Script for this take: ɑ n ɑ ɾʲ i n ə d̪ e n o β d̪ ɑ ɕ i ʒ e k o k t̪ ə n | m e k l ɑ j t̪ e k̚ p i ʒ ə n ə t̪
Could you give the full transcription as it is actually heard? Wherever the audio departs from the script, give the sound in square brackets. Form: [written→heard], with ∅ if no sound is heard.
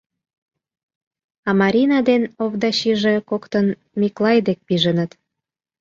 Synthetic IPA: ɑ [n→m] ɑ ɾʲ i n [ə→ɑ] d̪ e n o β d̪ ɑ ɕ i ʒ e k o k t̪ ə n | m [e→i] k l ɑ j [t̪→d̪] e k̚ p i ʒ ə n ə t̪